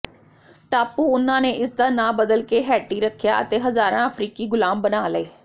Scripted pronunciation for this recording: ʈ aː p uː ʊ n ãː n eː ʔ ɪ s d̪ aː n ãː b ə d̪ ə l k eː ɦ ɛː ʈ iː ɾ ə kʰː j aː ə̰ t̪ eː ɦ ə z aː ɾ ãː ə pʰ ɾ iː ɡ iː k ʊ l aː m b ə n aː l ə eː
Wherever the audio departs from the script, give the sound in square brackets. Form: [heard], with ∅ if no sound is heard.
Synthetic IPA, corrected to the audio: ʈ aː p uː ʊ n ãː n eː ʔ ɪ s d̪ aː n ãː b ə d̪ ə l k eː ɦ ɛː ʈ iː ɾ ə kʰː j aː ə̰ t̪ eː ɦ ə z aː ɾ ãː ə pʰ ɾ iː [k] iː [ɡ] ʊ l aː m b ə n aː l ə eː